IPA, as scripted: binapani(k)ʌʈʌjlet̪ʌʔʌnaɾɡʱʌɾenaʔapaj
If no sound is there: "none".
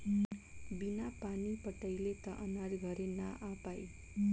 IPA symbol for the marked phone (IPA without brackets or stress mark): p